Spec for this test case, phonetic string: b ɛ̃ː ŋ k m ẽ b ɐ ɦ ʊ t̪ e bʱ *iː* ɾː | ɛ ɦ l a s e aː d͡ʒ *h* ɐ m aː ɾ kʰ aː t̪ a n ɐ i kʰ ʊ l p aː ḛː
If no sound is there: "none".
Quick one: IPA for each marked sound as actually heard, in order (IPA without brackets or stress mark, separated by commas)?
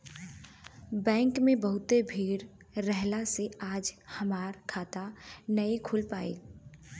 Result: iː, h